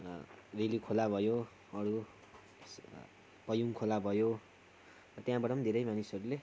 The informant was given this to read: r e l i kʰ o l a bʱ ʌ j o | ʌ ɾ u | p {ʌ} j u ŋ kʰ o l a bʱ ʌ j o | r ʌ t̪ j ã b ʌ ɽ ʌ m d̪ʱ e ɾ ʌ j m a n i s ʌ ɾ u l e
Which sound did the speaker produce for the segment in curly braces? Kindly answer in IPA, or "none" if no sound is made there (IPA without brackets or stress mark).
ʌ